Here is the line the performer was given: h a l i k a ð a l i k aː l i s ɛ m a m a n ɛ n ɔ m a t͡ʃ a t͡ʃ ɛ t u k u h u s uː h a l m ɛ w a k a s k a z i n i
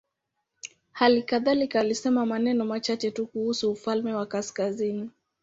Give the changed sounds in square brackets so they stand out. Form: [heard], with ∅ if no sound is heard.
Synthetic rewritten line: h a l i k a ð a l i k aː l i s ɛ m a m a n ɛ n ɔ m a t͡ʃ a t͡ʃ ɛ t u k u h u s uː [f] a l m ɛ w a k a s k a z i n i